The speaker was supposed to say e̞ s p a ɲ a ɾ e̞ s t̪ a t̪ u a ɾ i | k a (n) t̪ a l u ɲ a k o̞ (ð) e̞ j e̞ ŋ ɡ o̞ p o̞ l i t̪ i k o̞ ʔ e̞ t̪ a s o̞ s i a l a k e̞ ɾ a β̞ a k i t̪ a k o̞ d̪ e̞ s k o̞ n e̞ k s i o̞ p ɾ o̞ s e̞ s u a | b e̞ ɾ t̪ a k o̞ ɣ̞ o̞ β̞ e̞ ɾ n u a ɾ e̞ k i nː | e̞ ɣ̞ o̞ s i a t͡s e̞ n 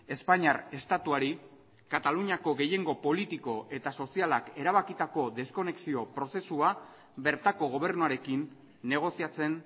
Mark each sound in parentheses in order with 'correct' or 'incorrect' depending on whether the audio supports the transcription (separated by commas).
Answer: incorrect, incorrect